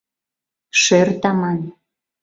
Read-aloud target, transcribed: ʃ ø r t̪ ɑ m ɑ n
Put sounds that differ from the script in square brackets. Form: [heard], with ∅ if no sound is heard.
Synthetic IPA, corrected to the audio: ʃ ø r t̪ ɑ m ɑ n